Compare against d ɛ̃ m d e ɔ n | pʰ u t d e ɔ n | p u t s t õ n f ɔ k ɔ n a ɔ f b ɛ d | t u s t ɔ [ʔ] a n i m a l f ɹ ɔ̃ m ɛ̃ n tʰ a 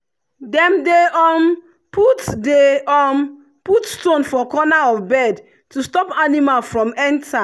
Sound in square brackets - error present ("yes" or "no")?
yes